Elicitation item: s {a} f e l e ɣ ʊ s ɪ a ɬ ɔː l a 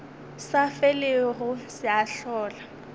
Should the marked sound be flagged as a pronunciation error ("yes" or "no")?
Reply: no